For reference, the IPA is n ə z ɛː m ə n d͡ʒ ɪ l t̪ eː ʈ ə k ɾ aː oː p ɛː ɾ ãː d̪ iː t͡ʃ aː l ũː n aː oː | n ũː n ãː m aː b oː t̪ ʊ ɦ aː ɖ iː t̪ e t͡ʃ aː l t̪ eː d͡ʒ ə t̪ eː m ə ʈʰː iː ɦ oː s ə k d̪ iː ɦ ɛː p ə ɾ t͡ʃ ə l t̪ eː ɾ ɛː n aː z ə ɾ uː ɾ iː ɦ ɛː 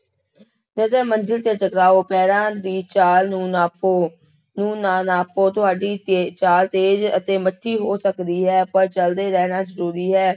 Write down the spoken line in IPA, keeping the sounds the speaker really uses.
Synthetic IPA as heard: n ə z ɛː m ə n d͡ʒ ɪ l t̪ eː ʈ ə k ɾ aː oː p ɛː ɾ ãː d̪ iː t͡ʃ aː l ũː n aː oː | n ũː n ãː n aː p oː t̪ ʊ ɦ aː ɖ iː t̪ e t͡ʃ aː l t̪ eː d͡ʒ ə t̪ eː m ə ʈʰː iː ɦ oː s ə k d̪ iː ɦ ɛː p ə ɾ t͡ʃ ə l d̪ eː ɾ ɛː n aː z ə ɾ uː ɾ iː ɦ ɛː